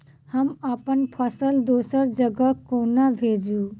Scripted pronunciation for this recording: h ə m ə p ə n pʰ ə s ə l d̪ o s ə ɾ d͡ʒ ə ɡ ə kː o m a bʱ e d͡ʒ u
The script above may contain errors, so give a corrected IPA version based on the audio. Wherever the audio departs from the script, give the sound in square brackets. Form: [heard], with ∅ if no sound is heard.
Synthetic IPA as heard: h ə m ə p ə n pʰ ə s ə l d̪ o s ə ɾ d͡ʒ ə ɡ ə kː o [n] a bʱ e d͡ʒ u